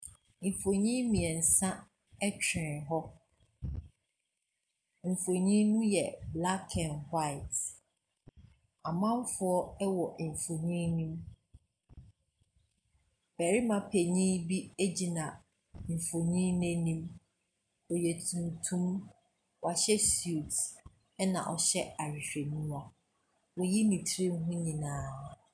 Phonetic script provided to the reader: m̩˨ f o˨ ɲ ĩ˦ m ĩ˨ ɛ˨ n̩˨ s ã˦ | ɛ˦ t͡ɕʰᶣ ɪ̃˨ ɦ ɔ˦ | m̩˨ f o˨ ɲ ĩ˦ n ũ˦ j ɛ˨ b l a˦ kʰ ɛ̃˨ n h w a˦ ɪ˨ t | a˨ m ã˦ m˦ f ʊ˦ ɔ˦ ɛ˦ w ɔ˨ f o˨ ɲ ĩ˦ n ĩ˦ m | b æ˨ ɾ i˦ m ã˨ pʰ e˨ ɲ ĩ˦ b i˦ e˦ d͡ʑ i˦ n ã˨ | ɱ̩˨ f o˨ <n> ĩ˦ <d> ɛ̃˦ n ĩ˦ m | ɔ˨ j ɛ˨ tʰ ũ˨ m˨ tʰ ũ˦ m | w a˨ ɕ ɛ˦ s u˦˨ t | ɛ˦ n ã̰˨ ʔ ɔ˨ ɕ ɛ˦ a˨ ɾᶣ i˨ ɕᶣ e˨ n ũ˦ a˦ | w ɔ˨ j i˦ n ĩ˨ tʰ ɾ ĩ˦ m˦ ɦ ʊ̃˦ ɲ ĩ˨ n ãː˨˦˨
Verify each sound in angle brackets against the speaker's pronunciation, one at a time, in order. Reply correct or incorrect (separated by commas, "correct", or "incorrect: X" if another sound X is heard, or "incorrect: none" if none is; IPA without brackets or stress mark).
incorrect: ɲ, incorrect: n